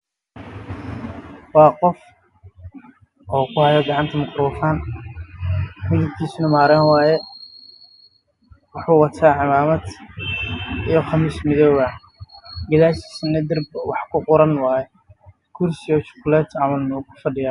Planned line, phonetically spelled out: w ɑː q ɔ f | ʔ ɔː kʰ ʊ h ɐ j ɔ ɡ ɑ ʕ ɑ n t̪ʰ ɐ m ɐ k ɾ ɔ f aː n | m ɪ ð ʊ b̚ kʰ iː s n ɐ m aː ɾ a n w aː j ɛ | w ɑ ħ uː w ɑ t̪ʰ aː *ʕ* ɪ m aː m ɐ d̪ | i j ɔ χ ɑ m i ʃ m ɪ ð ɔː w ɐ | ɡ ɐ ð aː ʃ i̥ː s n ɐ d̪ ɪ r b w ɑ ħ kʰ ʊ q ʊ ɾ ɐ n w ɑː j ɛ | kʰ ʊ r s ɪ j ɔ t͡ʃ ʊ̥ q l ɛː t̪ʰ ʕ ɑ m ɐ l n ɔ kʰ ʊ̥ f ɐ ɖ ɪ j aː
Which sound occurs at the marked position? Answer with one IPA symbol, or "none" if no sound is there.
ʕ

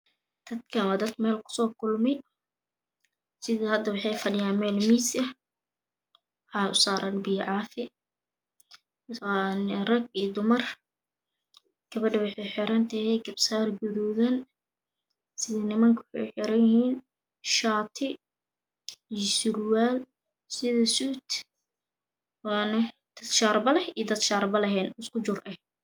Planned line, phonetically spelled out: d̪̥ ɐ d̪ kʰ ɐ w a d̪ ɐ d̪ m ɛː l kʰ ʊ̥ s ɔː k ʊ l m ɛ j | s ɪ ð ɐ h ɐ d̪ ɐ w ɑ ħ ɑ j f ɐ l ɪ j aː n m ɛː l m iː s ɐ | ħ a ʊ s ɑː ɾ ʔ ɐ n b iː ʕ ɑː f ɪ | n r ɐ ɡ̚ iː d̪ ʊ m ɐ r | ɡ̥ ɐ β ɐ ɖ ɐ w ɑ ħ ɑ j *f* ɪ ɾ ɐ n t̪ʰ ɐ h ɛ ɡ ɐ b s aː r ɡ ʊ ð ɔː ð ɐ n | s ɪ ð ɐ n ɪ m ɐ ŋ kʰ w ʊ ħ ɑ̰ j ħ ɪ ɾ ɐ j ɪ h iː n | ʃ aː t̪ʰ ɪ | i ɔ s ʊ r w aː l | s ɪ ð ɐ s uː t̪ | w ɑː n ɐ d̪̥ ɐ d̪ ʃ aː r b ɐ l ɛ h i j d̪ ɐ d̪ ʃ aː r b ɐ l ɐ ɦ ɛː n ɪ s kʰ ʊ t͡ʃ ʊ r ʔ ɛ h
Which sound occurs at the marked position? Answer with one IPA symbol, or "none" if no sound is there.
ħ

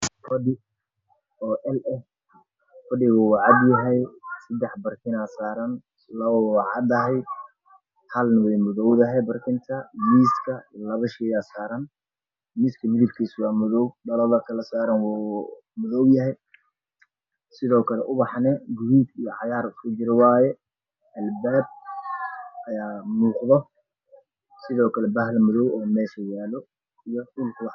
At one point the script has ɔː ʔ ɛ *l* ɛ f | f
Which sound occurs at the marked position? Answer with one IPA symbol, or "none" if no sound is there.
l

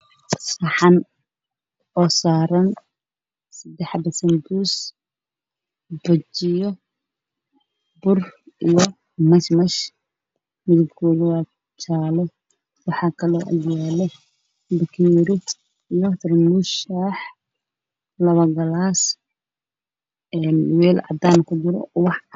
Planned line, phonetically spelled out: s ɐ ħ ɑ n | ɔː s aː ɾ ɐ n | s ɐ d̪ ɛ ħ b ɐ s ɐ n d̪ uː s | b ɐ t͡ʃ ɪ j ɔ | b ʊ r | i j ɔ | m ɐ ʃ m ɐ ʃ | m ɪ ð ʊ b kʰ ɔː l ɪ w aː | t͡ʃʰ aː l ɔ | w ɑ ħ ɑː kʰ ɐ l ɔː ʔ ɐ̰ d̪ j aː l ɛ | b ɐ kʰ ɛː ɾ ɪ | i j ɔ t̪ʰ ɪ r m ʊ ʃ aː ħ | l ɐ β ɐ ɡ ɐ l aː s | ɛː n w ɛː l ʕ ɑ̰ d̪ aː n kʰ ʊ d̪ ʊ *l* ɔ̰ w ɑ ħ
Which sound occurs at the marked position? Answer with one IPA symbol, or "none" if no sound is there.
ɾ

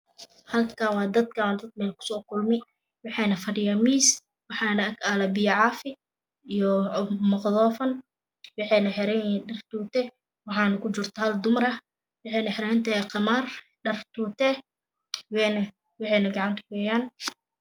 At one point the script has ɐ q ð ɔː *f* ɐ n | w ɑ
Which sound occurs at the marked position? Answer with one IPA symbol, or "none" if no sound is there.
f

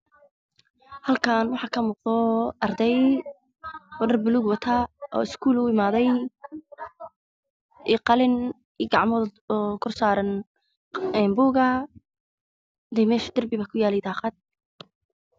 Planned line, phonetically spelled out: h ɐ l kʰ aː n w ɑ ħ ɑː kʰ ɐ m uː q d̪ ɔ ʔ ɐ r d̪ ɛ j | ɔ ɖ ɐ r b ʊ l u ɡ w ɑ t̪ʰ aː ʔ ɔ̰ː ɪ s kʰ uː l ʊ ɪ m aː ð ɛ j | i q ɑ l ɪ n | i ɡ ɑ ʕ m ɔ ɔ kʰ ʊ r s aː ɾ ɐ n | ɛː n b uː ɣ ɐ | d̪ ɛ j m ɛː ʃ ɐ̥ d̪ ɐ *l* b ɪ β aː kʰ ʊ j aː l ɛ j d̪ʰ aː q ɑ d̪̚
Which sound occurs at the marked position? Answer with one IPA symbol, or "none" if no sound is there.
r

